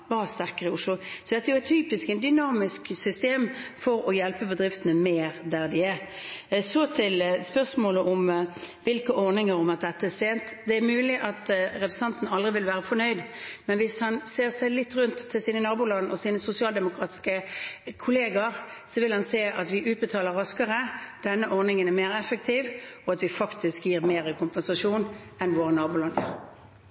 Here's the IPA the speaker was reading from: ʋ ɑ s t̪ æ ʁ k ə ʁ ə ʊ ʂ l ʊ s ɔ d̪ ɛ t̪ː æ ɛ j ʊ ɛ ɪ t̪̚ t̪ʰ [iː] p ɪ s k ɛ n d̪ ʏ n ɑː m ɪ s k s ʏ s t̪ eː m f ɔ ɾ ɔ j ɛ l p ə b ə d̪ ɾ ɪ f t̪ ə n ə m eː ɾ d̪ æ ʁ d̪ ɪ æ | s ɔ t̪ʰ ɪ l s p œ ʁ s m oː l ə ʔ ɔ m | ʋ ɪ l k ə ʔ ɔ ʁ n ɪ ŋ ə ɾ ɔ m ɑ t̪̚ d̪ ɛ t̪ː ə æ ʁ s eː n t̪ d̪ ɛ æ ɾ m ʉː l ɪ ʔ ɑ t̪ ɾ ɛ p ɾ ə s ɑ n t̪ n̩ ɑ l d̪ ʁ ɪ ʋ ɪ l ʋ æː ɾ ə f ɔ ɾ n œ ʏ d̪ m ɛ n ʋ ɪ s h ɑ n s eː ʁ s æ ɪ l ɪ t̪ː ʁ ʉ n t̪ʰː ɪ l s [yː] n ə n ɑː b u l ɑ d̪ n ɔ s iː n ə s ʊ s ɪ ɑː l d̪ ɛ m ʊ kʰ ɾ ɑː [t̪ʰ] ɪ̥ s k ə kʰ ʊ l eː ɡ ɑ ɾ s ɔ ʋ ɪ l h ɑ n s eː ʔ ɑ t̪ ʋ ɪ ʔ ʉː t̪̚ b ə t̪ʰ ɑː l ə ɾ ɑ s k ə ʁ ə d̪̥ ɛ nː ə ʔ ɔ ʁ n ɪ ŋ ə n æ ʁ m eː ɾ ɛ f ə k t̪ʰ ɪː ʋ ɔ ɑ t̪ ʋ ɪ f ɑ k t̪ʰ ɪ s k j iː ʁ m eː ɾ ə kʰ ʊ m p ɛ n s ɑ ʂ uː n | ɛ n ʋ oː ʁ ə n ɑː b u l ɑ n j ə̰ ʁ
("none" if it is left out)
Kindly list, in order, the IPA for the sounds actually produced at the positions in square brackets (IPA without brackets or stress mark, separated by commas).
yː, iː, t̪